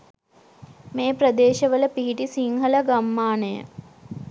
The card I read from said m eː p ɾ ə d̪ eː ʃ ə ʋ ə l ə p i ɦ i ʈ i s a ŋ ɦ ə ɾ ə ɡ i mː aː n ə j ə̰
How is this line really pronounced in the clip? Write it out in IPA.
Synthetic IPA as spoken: m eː p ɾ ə d̪ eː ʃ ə ʋ ə l ə p i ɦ i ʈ i s i ŋ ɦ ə l ə ɡ a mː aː n ə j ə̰